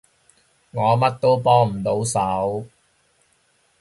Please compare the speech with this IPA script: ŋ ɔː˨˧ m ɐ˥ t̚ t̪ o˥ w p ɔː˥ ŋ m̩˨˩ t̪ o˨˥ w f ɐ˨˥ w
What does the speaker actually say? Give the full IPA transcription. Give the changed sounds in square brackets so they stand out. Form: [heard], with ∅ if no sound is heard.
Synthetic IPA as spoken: ŋ ɔː˨˧ m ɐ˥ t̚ t̪ o˥ w p ɔː˥ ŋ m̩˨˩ t̪ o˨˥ w [s] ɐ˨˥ w